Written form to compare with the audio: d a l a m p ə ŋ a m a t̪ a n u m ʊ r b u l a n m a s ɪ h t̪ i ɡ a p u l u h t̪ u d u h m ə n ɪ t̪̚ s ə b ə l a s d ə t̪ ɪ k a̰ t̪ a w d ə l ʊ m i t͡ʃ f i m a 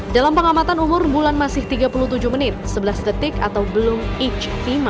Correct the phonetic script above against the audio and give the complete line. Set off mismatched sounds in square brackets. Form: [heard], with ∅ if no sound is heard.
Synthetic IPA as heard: d a l a m p ə ŋ a m a t̪ a n u m ʊ r b u l a n m a s ɪ h t̪ i ɡ a p u l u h t̪ u [d͡ʒ] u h m ə n ɪ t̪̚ s ə b ə l a s d ə t̪ ɪ k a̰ t̪ a w [b] ə l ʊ m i t͡ʃ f i m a